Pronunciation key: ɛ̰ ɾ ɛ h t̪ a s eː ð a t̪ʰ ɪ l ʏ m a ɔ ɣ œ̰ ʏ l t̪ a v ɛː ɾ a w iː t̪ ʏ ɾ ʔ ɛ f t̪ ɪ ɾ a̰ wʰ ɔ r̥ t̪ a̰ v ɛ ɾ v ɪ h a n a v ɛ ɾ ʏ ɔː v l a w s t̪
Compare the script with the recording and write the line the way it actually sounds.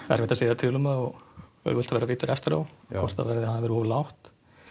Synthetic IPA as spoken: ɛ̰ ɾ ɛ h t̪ a s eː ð a t̪ʰ ɪ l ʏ m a ɔ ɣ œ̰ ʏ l t̪ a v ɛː ɾ a v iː t̪ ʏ ɾ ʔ ɛ f t̪ ɪ ɾ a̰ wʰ ɔ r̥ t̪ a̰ v ɛ ɾ ð ɪ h a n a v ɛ ɾ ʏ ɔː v l a w h t̪